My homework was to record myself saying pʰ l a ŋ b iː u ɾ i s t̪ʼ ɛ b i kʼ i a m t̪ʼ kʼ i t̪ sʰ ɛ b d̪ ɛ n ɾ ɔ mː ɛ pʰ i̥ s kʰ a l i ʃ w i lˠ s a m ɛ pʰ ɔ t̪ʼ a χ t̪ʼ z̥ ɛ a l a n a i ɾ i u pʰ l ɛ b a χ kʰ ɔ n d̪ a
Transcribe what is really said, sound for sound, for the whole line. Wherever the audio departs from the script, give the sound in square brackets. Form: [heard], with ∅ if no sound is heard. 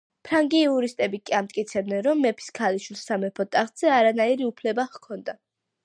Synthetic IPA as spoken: pʰ [ɾ] a ŋ [ɡ] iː u ɾ i s t̪ʼ ɛ b i kʼ i a m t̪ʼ kʼ i t̪ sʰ ɛ b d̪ ɛ n ɾ ɔ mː ɛ pʰ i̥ s kʰ a l i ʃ w i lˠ s a m ɛ pʰ ɔ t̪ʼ a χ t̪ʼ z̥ ɛ a [ɾ] a n a i ɾ i u pʰ l ɛ b a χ kʰ ɔ n d̪ a